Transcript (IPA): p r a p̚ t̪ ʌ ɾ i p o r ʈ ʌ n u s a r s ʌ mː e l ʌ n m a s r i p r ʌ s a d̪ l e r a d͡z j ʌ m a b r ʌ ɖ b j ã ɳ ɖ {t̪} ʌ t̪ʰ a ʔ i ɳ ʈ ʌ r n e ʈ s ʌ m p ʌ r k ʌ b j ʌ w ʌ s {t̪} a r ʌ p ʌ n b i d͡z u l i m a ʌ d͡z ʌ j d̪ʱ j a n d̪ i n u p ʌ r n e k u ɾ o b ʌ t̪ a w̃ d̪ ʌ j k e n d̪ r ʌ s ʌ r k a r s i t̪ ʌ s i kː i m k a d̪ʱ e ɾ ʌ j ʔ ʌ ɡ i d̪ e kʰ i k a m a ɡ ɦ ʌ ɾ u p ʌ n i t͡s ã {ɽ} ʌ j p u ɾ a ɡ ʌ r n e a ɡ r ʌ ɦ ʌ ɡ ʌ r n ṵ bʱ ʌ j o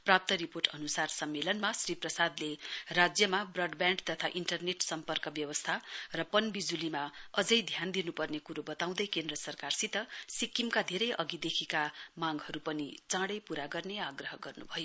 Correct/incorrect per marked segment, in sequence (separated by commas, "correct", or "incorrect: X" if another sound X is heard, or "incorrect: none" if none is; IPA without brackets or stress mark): correct, incorrect: t̪ʰ, correct